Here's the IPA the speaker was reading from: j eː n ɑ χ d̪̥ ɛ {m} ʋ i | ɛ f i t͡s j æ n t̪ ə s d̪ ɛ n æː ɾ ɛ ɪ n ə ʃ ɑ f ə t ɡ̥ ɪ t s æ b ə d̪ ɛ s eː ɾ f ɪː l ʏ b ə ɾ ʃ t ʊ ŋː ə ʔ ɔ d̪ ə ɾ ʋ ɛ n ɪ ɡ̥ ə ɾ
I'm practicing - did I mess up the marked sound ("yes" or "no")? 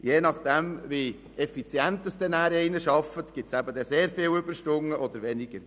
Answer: no